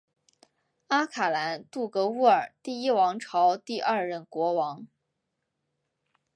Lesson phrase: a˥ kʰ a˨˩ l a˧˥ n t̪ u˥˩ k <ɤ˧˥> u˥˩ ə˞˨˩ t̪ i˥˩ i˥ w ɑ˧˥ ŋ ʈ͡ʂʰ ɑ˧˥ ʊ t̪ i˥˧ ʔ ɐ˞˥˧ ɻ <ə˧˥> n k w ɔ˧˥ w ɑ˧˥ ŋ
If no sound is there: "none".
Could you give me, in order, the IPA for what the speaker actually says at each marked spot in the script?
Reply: ɤ˧˥, ə˥˩

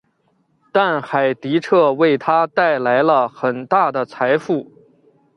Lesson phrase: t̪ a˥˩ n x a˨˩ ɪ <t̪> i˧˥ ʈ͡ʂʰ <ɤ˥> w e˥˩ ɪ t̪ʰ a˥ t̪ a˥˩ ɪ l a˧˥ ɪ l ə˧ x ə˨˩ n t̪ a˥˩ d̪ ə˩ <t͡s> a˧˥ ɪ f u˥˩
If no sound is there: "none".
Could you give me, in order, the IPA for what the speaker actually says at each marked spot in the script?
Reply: t̪, ɤ˥˧, t͡sʰ

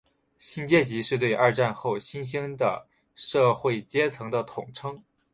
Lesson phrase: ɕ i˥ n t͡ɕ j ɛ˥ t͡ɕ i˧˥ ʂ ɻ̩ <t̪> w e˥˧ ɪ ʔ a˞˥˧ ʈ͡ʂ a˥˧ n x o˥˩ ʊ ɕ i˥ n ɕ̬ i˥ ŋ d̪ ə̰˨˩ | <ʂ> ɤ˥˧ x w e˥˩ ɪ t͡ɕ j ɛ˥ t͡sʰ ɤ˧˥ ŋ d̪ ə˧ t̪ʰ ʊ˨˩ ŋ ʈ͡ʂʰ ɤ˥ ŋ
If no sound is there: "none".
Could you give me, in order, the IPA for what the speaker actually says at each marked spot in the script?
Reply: t̪, ʂ

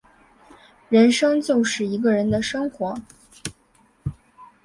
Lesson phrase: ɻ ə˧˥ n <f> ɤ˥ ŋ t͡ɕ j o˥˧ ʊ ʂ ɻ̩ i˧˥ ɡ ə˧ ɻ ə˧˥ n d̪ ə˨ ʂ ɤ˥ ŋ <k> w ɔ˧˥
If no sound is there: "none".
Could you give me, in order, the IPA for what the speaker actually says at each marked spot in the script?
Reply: ʂ, x

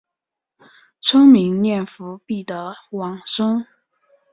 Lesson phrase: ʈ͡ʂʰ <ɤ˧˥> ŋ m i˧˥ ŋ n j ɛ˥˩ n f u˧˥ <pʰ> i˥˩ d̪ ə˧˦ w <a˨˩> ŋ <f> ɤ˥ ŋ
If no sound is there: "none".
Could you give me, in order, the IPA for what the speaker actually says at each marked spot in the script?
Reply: ɤ˥, p, ɑ˨˩, ʂ

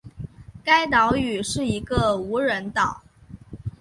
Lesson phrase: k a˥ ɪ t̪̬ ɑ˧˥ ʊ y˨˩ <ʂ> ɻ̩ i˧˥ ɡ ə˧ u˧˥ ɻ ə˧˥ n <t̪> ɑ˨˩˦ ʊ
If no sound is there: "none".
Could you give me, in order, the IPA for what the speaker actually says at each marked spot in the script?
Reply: ʂ, t̪

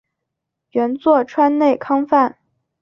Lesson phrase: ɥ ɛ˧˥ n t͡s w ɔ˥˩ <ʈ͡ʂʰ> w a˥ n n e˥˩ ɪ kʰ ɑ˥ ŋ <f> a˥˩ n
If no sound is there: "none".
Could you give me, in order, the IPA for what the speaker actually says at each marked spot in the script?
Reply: ʈ͡ʂʰ, f

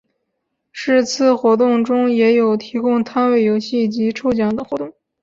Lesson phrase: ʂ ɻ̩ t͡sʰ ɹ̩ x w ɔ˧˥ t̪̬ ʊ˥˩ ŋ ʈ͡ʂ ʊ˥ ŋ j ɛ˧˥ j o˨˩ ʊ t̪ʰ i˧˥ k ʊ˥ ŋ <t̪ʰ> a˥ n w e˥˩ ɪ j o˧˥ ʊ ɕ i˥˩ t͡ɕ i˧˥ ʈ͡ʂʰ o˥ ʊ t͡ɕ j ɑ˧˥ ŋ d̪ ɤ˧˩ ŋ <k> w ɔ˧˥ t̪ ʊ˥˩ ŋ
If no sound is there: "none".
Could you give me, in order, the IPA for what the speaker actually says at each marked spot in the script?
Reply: t̪ʰ, x

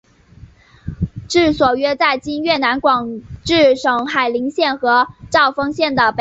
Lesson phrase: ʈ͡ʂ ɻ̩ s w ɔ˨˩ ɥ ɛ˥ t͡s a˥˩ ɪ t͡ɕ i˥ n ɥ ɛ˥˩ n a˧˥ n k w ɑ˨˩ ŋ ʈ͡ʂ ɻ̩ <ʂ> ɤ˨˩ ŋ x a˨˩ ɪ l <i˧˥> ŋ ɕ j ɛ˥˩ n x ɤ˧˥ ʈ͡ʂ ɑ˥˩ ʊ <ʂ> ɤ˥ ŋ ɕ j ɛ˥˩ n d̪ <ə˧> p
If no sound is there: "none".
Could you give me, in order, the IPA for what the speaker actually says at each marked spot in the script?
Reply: ʂ, i˧˥, f, ə˩

